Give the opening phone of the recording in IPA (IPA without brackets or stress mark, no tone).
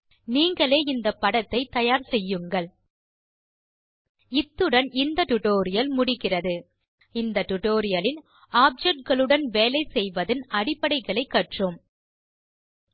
n